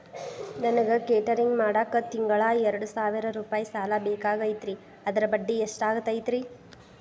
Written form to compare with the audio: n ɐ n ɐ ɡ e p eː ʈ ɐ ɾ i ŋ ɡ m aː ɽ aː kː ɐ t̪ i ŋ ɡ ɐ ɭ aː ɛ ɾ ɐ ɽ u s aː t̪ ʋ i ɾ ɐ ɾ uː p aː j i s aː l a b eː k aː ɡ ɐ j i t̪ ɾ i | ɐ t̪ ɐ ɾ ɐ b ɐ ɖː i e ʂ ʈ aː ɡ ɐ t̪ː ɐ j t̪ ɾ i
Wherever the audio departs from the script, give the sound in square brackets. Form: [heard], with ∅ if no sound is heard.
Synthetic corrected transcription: n ɐ n ɐ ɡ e [k] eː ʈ ɐ ɾ i ŋ ɡ m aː ɽ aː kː ɐ t̪ i ŋ ɡ ɐ ɭ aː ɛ ɾ ɐ ɽ u s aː [∅] ʋ i ɾ ɐ ɾ uː p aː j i s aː l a b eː k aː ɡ ɐ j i t̪ ɾ i | ɐ [d̪] ɐ ɾ ɐ b ɐ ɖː i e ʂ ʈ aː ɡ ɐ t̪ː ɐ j t̪ ɾ i

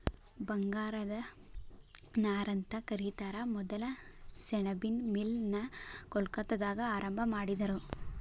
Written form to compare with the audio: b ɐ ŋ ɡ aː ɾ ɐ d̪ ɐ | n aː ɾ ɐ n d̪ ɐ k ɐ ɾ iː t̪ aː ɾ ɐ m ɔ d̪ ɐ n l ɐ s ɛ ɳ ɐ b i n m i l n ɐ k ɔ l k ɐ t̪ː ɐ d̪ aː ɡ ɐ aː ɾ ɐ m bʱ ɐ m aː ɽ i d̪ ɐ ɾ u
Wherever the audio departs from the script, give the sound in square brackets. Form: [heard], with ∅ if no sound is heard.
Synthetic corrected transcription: b ɐ ŋ ɡ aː ɾ ɐ d̪ ɐ | n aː ɾ ɐ n [t̪] ɐ k ɐ ɾ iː t̪ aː ɾ ɐ m ɔ d̪ ɐ [∅] l ɐ s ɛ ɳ ɐ b i n m i l n ɐ k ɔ l k ɐ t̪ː ɐ d̪ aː ɡ ɐ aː ɾ ɐ m bʱ ɐ m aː ɽ i d̪ ɐ ɾ u

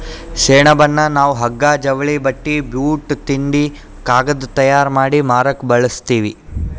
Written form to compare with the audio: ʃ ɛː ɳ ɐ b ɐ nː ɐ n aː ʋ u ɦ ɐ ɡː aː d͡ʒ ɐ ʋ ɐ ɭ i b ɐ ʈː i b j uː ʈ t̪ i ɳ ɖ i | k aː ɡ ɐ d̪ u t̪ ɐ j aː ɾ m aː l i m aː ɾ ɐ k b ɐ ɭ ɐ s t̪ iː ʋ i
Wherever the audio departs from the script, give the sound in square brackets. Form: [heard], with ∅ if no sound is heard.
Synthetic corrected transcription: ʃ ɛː ɳ ɐ b ɐ nː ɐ n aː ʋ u ɦ ɐ ɡː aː d͡ʒ ɐ ʋ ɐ ɭ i b ɐ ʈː i b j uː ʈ t̪ i ɳ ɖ i | k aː ɡ ɐ d̪ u t̪ ɐ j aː ɾ m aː [ɽ] i m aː ɾ ɐ k b ɐ ɭ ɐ s t̪ iː ʋ i

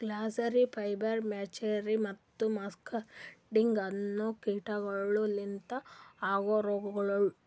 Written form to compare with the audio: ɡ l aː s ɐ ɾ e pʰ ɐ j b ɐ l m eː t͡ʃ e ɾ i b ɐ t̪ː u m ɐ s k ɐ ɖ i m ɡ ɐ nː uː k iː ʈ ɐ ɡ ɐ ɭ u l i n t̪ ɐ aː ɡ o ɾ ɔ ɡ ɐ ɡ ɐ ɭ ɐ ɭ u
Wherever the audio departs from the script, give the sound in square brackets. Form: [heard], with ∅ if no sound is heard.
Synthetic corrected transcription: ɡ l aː s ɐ ɾ [i] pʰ ɐ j b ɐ [ɾ] m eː t͡ʃ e ɾ i [m] ɐ t̪ː u m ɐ s k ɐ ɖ i [ŋ] ɡ ɐ nː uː k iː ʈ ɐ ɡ ɐ ɭ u l i n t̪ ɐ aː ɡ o ɾ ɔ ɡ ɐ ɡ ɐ ɭ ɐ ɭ u

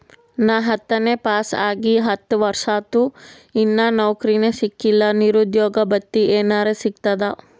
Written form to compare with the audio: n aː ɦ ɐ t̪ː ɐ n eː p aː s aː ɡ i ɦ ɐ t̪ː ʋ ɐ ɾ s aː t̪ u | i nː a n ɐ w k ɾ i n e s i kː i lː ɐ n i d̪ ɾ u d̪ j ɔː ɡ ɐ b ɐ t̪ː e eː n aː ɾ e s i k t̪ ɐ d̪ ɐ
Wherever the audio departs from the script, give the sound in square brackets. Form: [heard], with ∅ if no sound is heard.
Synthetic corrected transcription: n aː ɦ ɐ t̪ː ɐ n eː p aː s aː ɡ i ɦ ɐ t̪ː ʋ ɐ ɾ [ʂ] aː t̪ u | i nː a n ɐ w k ɾ i n e s i kː i lː ɐ n i [∅] ɾ u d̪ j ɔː ɡ ɐ b ɐ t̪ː [i] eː n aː ɾ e s i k t̪ ɐ d̪ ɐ

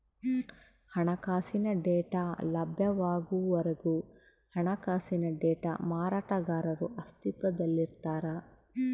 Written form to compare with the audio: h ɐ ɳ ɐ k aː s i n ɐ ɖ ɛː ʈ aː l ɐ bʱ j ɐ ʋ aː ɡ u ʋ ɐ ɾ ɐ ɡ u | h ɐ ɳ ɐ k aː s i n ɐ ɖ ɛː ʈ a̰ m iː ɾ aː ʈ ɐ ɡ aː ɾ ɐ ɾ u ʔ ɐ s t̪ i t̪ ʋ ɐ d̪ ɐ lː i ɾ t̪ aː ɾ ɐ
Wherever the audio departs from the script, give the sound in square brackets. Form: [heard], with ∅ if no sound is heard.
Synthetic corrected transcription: h ɐ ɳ ɐ k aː s i n ɐ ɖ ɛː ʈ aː l ɐ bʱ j ɐ ʋ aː ɡ u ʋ ɐ ɾ ɐ ɡ u | h ɐ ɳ ɐ k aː s i n ɐ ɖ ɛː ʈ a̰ m [aː] ɾ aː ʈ ɐ ɡ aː ɾ ɐ ɾ u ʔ ɐ s t̪ i t̪ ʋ ɐ d̪ ɐ lː i ɾ t̪ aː ɾ ɐ

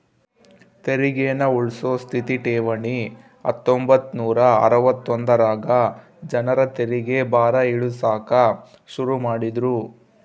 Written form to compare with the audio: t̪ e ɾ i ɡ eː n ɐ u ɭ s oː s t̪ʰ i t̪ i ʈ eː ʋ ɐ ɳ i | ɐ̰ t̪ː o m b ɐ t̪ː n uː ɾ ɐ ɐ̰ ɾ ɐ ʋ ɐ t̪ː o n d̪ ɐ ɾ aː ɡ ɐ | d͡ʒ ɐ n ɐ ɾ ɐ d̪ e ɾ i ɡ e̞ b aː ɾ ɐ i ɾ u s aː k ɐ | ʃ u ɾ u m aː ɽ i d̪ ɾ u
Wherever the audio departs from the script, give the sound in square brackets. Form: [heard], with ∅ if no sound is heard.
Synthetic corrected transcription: t̪ e ɾ i ɡ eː n ɐ u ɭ s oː s t̪ʰ i t̪ i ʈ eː ʋ ɐ ɳ i | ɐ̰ t̪ː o m b ɐ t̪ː n uː ɾ ɐ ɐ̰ ɾ ɐ ʋ ɐ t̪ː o n d̪ ɐ ɾ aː ɡ ɐ | d͡ʒ ɐ n ɐ ɾ ɐ [t̪] e ɾ i ɡ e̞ b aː ɾ ɐ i [ɭ] u s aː k ɐ | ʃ u ɾ u m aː ɽ i d̪ ɾ u

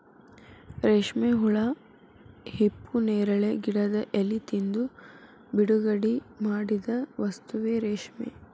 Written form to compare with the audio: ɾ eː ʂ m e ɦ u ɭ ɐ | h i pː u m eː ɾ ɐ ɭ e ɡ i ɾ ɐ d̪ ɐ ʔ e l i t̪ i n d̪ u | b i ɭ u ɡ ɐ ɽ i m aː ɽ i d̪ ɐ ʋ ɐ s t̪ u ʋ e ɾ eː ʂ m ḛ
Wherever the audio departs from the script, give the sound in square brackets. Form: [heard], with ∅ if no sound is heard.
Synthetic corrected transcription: ɾ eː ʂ m e ɦ u ɭ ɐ | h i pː u [n] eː ɾ ɐ ɭ e ɡ i [ɽ] ɐ d̪ ɐ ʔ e l i t̪ i n d̪ u | b i [ɽ] u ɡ ɐ ɽ i m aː ɽ i d̪ ɐ ʋ ɐ s t̪ u ʋ e ɾ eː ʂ m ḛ

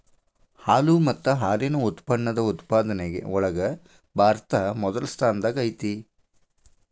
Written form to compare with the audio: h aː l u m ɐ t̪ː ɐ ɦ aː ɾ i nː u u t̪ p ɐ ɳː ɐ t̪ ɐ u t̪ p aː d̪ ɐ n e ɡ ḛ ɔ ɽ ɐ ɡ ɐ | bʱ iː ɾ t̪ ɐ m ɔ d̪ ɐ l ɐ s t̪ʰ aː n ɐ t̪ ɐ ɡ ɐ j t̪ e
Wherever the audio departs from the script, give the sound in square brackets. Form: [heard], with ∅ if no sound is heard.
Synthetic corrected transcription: h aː l u m ɐ t̪ː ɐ ɦ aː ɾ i [n] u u t̪ p ɐ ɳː ɐ [d̪] ɐ u t̪ p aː d̪ ɐ n e ɡ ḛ ɔ [ɭ] ɐ ɡ ɐ | bʱ [aː] ɾ t̪ ɐ m ɔ d̪ ɐ l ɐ s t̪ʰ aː n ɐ [d̪] ɐ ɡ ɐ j t̪ [i]

